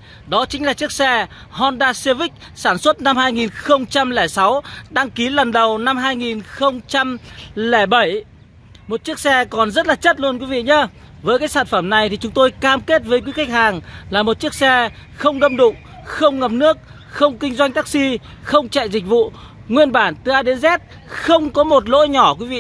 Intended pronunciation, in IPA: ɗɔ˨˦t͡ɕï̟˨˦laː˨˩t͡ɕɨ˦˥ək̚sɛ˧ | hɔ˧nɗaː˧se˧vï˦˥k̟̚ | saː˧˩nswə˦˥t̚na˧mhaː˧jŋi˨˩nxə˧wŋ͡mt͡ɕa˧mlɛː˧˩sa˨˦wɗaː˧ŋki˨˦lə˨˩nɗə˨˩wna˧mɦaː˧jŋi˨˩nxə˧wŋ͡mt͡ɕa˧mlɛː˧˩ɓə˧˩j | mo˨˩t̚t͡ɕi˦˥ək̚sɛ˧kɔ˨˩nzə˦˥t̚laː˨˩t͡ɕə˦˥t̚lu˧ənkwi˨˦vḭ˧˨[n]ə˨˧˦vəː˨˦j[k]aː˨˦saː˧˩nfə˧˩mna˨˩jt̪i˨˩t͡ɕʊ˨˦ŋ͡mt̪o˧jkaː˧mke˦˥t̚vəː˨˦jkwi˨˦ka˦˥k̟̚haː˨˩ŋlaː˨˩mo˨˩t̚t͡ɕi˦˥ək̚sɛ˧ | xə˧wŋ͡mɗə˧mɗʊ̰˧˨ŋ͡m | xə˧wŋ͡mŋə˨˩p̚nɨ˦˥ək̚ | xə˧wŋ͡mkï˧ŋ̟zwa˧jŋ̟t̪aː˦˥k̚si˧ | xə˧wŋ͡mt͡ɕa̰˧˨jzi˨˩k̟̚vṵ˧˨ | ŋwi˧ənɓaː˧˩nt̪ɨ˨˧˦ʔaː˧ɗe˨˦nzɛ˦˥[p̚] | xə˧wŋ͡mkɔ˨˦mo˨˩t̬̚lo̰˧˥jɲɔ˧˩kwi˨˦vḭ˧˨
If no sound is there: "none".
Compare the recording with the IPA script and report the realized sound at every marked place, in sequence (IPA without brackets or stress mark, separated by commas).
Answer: ɲ, k, t̚